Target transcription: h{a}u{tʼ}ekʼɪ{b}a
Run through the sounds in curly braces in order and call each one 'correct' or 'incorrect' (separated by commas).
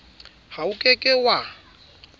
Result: correct, incorrect, incorrect